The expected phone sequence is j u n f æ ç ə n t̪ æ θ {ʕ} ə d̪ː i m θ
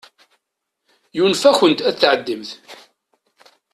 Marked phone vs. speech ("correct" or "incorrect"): correct